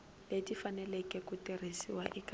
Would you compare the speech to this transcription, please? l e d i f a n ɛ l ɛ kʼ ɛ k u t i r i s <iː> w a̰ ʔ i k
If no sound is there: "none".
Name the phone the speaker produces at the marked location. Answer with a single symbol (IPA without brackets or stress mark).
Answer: i